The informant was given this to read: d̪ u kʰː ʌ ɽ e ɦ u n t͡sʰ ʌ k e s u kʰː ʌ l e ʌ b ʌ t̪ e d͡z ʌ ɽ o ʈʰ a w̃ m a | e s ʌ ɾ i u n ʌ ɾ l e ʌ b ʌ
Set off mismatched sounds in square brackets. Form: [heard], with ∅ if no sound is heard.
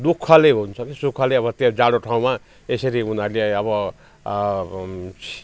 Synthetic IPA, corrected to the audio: d̪ u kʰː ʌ [l] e ɦ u n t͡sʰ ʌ k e s u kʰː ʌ l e ʌ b ʌ t̪ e d͡z [a] ɽ o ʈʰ a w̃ m a | e s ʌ ɾ i u n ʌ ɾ l e ʌ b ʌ